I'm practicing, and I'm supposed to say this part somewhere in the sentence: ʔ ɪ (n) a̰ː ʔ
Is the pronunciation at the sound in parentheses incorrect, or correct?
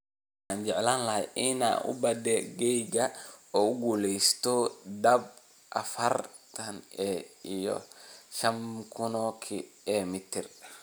correct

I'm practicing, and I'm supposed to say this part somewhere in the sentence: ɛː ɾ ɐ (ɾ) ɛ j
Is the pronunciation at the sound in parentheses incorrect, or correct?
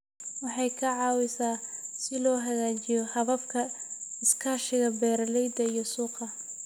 incorrect: l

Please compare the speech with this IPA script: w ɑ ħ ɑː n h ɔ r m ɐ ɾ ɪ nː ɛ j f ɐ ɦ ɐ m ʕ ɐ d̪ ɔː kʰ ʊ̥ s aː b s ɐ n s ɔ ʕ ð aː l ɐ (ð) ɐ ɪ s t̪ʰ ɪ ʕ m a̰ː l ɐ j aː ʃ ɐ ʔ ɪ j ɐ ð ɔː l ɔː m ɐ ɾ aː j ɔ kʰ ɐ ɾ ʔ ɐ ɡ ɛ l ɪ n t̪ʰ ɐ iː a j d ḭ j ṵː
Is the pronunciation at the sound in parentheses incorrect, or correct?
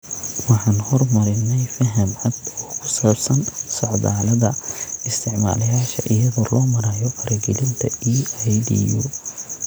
correct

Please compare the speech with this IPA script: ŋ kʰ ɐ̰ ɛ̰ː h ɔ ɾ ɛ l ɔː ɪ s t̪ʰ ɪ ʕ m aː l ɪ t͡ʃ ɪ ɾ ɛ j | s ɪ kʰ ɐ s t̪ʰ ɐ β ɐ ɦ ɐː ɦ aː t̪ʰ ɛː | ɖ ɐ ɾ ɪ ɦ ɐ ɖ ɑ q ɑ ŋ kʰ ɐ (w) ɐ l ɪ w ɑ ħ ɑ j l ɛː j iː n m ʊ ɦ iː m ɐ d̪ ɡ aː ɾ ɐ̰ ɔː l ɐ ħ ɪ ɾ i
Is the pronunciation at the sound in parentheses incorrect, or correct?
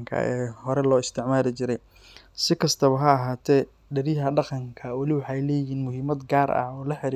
correct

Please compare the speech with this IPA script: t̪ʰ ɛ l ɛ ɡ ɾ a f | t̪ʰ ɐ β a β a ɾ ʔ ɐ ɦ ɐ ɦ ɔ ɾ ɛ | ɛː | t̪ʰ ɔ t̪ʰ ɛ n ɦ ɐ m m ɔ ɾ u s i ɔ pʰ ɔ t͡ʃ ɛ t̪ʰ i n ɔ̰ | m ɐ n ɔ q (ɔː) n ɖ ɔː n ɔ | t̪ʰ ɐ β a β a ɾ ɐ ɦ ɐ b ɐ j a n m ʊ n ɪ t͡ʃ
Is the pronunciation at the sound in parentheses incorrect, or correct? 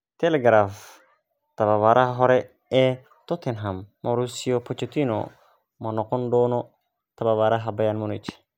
incorrect: ɔ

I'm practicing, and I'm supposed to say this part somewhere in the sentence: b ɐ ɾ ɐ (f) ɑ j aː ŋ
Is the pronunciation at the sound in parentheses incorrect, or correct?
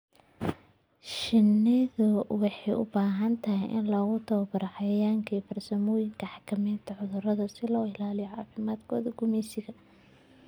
incorrect: ħ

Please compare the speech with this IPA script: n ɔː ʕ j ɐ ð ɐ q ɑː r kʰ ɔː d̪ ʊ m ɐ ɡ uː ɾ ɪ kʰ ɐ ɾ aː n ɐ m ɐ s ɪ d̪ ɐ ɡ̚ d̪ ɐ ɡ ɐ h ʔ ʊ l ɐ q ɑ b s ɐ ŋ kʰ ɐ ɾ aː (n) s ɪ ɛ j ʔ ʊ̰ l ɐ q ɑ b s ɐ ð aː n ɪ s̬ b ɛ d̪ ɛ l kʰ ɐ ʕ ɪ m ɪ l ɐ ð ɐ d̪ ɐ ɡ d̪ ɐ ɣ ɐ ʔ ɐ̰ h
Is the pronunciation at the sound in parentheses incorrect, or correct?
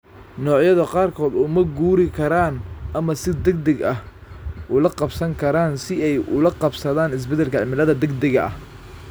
correct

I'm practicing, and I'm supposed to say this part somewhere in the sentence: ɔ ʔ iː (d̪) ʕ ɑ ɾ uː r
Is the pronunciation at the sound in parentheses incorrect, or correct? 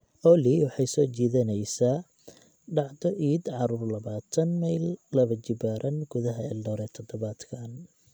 correct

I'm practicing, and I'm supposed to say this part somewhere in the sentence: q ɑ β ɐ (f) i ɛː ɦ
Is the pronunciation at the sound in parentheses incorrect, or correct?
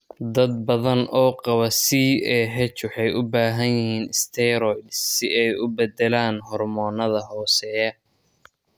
incorrect: s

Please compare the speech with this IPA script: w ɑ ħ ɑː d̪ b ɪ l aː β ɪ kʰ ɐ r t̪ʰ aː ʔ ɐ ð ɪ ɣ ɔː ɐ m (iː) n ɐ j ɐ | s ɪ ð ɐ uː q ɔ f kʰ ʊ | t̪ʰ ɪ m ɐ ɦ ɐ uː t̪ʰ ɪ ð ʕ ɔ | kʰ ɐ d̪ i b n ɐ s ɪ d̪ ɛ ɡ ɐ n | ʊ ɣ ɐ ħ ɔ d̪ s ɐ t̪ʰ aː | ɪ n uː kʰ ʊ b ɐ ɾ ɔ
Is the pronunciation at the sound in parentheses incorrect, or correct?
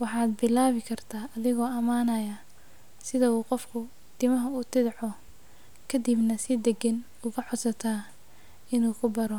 incorrect: aː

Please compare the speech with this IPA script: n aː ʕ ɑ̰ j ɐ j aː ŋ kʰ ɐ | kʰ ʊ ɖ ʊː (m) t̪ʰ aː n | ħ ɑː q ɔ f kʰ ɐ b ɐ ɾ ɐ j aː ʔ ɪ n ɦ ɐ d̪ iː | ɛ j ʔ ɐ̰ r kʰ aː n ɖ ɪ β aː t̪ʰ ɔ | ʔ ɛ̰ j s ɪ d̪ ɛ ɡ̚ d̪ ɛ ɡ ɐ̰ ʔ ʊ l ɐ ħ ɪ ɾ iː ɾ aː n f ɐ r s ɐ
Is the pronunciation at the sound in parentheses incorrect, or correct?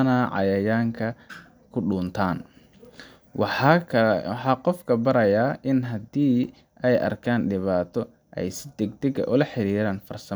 incorrect: n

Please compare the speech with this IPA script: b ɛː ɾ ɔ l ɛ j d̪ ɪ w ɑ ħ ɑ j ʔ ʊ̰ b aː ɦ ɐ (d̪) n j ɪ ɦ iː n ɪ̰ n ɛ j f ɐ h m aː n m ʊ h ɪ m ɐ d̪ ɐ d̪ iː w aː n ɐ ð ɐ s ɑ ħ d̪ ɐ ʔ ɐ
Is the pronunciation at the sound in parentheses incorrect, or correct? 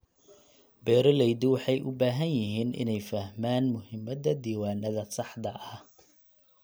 incorrect: none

